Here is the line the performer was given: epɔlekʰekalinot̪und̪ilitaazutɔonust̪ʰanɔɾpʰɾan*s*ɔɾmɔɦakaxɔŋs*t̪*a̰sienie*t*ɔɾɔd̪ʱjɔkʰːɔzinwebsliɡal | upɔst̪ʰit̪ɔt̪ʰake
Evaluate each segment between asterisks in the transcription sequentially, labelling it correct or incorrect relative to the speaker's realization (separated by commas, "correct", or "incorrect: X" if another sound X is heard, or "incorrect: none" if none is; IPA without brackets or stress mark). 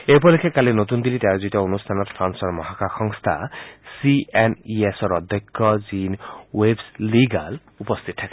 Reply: correct, incorrect: t̪ʰ, incorrect: s